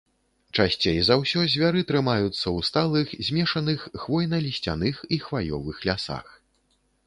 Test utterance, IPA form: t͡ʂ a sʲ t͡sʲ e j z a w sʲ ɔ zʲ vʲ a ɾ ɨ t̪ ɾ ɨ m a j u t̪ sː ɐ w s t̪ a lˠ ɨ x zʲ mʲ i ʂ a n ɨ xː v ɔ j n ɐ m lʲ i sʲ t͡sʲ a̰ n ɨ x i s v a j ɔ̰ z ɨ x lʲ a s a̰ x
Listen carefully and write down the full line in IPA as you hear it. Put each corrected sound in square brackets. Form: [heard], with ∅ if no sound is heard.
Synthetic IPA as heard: t͡ʂ a sʲ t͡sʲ e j z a w sʲ ɔ zʲ vʲ a ɾ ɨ t̪ ɾ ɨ m a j u t̪ sː ɐ w s t̪ a lˠ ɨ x zʲ mʲ [ɛ] ʂ [ɐ] n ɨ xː v ɔ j n ɐ [∅] lʲ i sʲ t͡sʲ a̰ n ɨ x i [x] v a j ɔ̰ [v] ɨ x lʲ a s a̰ x